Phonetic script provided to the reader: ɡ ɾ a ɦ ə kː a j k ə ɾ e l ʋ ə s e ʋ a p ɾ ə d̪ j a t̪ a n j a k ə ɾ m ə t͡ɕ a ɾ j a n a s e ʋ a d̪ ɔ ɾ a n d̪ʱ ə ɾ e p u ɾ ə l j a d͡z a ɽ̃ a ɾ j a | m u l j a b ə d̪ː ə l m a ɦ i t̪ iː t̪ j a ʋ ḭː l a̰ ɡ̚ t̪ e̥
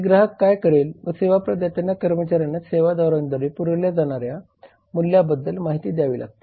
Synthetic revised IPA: ɡ ɾ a ɦ ə kː a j k ə ɾ e l ʋ ə s e ʋ a p ɾ ə d̪ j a t̪ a n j a k ə ɾ m ə t͡ɕ a ɾ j a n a s e ʋ a d̪ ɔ ɾ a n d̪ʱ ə ɾ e p u ɾ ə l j a d͡z a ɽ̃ a ɾ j a | m u l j a b ə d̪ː ə l m a ɦ i t̪ iː d̪ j a ʋ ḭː l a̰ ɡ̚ t̪ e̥